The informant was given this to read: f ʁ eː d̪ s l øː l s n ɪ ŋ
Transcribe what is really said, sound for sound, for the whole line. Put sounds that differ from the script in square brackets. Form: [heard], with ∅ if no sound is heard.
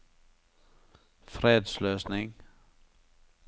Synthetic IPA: f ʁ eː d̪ s l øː [∅] s n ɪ ŋ